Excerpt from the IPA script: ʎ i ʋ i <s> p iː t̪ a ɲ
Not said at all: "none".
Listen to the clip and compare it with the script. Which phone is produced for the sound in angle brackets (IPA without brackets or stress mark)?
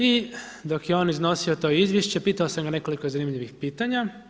x